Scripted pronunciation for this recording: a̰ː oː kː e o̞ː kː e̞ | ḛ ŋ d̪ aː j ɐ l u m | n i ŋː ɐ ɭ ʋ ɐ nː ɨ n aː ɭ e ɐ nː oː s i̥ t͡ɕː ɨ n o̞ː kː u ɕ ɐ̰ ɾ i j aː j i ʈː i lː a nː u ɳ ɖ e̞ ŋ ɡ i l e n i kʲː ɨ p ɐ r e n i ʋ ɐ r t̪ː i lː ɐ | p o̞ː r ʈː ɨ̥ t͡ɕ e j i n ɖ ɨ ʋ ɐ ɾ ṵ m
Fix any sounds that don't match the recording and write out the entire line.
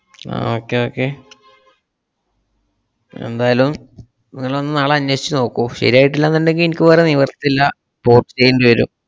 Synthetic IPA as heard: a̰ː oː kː e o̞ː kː e̞ | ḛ n d̪ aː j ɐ l u m | n i ŋː ɐ ɭ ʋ ɐ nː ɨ n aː ɭ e ɐ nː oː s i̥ t͡ɕː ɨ n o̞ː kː u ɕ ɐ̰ ɾ i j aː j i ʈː i lː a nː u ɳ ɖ e̞ ŋ ɡ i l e n i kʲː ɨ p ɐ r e n i ʋ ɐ r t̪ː i lː ɐ | p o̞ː r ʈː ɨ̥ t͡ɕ e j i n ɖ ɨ ʋ ɐ ɾ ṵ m